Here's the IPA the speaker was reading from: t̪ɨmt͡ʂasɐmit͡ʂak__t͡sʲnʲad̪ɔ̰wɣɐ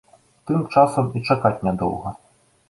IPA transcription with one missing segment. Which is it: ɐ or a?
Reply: a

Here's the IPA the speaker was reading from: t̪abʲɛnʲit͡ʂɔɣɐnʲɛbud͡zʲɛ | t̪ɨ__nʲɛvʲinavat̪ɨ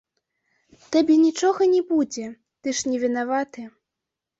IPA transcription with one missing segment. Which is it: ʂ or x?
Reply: ʂ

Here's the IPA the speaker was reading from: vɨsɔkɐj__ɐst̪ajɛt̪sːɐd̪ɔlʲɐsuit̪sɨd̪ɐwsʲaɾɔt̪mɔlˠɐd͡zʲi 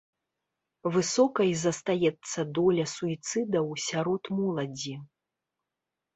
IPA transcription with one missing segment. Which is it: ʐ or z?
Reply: z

